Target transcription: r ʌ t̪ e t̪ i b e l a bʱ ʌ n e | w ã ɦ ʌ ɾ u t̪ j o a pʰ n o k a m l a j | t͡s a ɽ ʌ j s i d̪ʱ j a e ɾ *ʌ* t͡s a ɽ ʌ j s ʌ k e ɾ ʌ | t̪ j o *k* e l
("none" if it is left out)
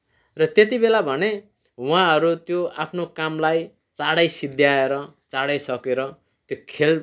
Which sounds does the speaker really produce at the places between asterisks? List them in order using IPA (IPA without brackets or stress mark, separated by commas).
ʌ, kʰ